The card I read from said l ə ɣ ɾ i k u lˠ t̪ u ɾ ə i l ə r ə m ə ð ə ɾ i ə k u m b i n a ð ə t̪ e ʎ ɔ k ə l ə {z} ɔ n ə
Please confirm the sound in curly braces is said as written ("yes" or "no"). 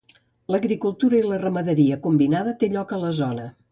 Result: yes